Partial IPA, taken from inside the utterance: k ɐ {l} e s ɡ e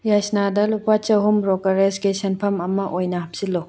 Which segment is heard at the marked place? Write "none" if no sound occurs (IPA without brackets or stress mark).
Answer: ɾ